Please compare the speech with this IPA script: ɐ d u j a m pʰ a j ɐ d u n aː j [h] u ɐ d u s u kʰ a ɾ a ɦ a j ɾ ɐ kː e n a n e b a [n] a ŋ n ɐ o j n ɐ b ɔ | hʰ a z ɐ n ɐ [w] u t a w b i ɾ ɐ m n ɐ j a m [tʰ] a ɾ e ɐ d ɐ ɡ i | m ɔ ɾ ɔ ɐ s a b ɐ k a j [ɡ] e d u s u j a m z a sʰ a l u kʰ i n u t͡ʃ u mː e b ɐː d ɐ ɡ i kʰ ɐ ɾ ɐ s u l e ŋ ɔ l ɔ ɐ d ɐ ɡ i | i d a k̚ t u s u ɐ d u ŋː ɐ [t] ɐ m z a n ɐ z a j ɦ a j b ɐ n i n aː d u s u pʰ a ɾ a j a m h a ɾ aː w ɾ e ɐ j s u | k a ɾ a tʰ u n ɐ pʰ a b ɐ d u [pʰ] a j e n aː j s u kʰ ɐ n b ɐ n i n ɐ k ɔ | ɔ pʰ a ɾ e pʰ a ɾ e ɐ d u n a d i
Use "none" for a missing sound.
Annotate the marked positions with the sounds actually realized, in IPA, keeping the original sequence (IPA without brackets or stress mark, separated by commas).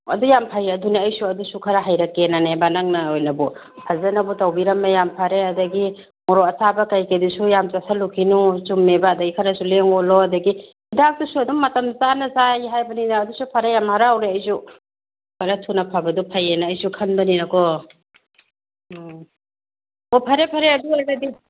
s, n, b, pʰ, k, t, pʰ